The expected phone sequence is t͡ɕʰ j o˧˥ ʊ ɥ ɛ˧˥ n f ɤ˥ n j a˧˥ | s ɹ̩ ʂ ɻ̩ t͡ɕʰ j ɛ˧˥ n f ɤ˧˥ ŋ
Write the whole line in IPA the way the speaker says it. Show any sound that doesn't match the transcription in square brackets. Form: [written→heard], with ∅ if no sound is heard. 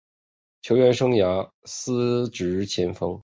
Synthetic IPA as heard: t͡ɕʰ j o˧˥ ʊ ɥ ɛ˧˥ n [f→ʂ] ɤ˥ [n→ŋ] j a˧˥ | s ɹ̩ [ʂ→ʈ͡ʂ] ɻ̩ t͡ɕʰ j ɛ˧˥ n f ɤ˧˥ ŋ